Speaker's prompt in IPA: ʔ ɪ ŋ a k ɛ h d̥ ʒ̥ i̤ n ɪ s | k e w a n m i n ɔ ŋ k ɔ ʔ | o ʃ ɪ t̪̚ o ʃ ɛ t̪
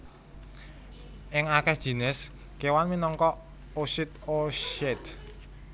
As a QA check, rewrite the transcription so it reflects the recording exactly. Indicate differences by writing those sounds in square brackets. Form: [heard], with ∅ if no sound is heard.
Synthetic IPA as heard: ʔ ɪ ŋ a k ɛ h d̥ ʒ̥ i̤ n ɪ s | k e w a n m i n ɔ ŋ k ɔ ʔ | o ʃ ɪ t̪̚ o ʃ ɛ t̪